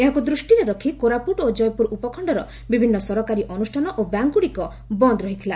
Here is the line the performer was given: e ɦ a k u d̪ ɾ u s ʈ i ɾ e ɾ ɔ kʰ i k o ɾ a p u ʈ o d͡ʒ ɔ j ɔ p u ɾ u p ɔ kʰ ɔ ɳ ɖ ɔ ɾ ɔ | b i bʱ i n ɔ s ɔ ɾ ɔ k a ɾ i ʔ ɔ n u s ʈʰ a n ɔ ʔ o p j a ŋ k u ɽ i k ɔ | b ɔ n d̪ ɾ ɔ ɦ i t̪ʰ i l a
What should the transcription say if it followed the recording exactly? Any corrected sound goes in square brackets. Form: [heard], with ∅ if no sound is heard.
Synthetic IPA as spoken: e ɦ a k u d̪ ɾ u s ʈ i ɾ e ɾ ɔ kʰ i k o ɾ a p u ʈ o d͡ʒ ɔ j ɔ p u ɾ u p ɔ kʰ ɔ ɳ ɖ ɔ ɾ ɔ | b i bʱ i [nː] ɔ s ɔ ɾ ɔ k a ɾ i ʔ ɔ n u s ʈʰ a n ɔ ʔ o [b] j a ŋ k u ɽ i k ɔ | b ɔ n d̪ ɾ ɔ ɦ i t̪ʰ i l a